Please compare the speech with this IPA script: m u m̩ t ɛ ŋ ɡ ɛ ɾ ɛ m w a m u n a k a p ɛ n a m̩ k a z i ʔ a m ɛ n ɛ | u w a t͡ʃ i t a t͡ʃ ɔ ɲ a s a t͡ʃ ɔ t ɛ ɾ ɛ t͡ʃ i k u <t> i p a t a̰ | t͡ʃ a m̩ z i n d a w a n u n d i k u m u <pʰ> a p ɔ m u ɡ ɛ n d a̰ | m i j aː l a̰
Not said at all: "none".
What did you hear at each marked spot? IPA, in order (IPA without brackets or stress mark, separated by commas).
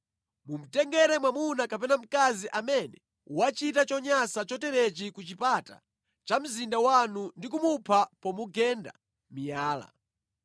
t͡ʃ, pʰ